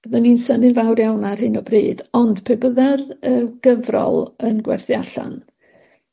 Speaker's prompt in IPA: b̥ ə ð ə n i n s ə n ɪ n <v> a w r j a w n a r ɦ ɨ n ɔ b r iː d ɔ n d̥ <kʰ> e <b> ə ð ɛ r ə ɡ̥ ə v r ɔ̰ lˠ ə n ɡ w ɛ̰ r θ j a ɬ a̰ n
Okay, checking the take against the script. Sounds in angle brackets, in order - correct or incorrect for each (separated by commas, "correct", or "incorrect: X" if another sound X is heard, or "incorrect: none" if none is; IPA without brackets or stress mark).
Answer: correct, incorrect: pʰ, correct